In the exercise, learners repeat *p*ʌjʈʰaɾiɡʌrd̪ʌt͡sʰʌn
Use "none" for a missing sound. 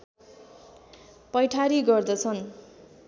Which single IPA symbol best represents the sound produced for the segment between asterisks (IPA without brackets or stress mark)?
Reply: p